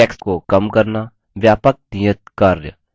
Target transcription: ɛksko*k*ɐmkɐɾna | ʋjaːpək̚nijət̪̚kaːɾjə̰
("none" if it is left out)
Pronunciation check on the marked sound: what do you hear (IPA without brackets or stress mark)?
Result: k